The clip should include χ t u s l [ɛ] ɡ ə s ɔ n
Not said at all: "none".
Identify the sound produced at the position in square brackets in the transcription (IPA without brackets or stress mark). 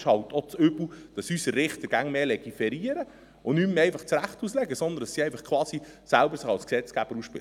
ɛ